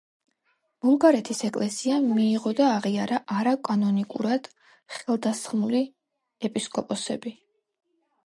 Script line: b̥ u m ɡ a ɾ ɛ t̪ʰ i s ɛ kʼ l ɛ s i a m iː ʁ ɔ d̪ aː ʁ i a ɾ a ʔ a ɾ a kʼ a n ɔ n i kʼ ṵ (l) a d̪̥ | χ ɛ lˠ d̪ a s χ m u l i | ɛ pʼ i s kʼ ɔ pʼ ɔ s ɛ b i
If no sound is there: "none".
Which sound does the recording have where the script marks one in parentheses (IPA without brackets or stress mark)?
ɾ